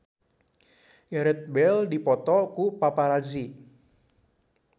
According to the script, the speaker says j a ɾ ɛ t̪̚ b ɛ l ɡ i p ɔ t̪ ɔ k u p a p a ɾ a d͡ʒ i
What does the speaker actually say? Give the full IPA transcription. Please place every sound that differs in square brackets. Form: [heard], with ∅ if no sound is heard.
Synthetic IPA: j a ɾ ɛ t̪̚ b ɛ l [d] i p ɔ t̪ ɔ k u p a p a ɾ a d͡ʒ i

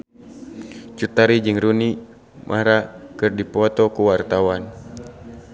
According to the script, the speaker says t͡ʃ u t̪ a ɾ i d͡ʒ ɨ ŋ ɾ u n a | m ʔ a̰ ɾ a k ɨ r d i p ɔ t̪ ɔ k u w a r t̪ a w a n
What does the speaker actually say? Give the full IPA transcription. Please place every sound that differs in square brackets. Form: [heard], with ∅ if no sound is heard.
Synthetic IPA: t͡ʃ u t̪ a ɾ i d͡ʒ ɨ ŋ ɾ u n [i] | m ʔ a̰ ɾ a k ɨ r d i p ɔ t̪ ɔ k u w a r t̪ a w a n

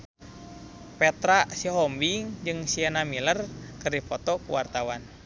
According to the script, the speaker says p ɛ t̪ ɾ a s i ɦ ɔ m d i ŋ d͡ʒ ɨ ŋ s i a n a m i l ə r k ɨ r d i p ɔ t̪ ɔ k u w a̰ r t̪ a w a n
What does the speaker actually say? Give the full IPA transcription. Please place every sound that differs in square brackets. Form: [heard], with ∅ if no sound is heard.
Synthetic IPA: p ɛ t̪ ɾ a s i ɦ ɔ m [b] i ŋ d͡ʒ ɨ ŋ s i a n a m i l ə r k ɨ r d i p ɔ t̪ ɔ k u w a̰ r t̪ a w a n

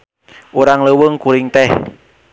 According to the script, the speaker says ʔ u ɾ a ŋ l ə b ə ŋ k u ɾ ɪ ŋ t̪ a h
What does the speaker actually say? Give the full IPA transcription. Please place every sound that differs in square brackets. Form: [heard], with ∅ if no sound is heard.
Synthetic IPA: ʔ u ɾ a ŋ l ə [w] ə ŋ k u ɾ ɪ ŋ t̪ [ɛ] h

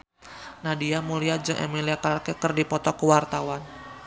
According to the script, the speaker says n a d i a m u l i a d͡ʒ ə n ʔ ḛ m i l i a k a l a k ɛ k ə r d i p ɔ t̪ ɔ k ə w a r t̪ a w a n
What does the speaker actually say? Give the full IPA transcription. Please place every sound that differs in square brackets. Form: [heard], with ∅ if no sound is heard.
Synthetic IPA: n a d i a m u l i a d͡ʒ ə [ŋ] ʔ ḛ m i l i a k a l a k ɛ k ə r d i p ɔ t̪ ɔ k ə w a r t̪ a w a n

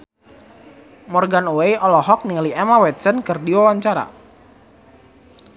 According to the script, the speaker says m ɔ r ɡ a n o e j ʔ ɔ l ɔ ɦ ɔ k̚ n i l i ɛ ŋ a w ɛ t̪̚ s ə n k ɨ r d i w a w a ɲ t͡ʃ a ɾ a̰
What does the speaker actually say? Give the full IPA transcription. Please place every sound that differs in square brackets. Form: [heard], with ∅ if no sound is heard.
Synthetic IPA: m ɔ r ɡ a n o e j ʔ ɔ l ɔ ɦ ɔ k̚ n i l i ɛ [m] a w ɛ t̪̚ s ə n k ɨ r d i w a w a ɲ t͡ʃ a ɾ a̰

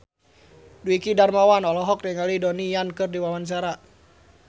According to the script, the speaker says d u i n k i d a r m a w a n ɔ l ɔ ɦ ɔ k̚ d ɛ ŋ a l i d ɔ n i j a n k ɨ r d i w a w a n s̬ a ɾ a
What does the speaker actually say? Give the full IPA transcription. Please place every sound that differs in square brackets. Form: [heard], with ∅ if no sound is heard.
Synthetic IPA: d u i [∅] k i d a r m a w a n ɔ l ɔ ɦ ɔ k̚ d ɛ ŋ a l i d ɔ n i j a n k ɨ r d i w a w a n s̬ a ɾ a

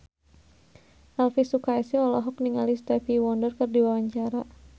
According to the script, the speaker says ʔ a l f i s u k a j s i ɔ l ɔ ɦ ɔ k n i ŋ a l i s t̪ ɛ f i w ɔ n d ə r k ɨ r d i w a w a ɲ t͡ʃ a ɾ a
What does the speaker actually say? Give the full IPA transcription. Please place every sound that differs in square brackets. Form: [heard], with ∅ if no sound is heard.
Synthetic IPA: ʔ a l f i s u k a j s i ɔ l ɔ ɦ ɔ k n i ŋ a l i s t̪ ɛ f i w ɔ n d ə r k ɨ r d i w a w a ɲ t͡ʃ a ɾ a

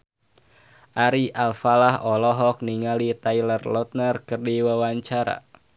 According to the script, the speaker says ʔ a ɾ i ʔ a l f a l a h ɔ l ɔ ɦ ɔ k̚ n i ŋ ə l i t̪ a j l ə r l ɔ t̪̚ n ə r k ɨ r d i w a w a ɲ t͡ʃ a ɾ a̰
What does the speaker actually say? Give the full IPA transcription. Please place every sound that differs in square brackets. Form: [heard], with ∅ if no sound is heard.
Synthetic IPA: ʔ a ɾ i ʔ a l f a l a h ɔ l ɔ ɦ ɔ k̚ n i ŋ [a] l i t̪ a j l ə r l ɔ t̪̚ n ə r k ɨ r d i w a w a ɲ t͡ʃ a ɾ a̰

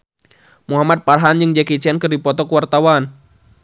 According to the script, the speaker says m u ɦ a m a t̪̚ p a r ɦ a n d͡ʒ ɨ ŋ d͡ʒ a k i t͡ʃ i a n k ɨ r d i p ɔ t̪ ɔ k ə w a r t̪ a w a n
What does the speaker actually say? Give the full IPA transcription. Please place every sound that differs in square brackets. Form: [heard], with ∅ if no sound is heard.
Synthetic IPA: m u ɦ a m a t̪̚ p a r ɦ a n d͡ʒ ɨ ŋ d͡ʒ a k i t͡ʃ i a n k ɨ r d i p ɔ t̪ ɔ k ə w a r t̪ a w a n

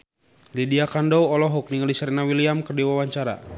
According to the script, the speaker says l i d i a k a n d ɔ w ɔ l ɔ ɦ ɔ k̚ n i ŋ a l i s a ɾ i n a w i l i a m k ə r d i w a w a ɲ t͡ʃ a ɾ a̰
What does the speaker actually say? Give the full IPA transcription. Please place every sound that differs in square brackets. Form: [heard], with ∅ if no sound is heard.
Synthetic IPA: l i d i a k a n d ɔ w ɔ l ɔ ɦ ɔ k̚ n i ŋ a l i s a ɾ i n a w i l i a m k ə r d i w a w a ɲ t͡ʃ a ɾ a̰

